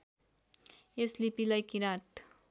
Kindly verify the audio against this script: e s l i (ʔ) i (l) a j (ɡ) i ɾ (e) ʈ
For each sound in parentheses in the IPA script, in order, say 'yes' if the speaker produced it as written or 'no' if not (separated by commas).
no, yes, no, no